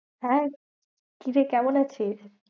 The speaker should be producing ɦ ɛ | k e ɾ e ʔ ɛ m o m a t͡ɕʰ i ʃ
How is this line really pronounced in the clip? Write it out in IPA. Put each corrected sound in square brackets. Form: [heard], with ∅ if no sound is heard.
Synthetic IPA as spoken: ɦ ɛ | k [i] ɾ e [k] ɛ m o [n] a t͡ɕʰ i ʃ